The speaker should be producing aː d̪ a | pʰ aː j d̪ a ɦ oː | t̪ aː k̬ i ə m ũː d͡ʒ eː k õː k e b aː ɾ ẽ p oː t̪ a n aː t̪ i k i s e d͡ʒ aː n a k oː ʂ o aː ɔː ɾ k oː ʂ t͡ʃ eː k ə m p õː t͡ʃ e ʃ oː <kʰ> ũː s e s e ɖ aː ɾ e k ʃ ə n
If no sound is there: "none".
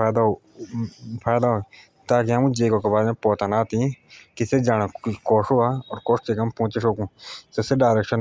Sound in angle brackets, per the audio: k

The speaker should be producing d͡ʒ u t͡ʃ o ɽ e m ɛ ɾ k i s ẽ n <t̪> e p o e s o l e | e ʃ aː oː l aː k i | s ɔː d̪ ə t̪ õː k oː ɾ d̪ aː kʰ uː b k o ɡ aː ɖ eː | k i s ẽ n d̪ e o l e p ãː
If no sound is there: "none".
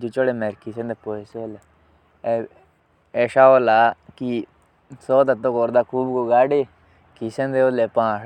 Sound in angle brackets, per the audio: d̪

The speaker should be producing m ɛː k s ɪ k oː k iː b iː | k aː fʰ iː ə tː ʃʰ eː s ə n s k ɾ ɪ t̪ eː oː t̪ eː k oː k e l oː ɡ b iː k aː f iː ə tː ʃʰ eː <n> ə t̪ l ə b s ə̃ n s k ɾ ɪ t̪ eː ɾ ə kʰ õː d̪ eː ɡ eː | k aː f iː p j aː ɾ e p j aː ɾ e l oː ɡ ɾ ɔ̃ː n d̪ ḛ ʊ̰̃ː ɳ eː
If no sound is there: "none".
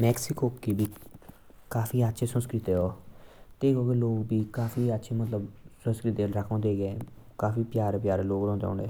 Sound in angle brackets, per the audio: m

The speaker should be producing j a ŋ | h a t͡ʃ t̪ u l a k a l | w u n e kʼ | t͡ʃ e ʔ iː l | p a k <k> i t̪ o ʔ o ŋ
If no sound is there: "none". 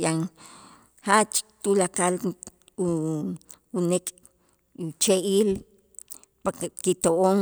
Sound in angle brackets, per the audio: k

